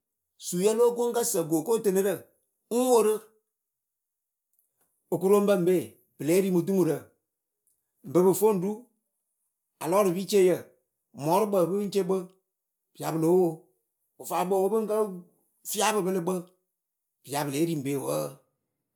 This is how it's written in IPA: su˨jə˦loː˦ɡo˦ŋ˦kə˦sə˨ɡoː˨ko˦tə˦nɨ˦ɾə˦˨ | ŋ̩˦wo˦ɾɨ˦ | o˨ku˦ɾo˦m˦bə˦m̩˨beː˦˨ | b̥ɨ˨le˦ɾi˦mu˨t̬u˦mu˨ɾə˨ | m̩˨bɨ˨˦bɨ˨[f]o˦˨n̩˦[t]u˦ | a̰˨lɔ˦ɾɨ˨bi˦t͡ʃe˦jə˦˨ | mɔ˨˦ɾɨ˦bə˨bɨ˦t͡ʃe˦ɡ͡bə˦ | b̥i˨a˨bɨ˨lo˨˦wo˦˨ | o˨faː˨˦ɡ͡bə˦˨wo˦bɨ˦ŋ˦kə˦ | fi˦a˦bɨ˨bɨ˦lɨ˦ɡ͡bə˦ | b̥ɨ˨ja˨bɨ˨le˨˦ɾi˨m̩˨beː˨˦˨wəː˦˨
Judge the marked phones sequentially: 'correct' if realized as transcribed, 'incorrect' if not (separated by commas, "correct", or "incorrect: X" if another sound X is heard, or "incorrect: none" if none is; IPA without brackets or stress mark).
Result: correct, incorrect: d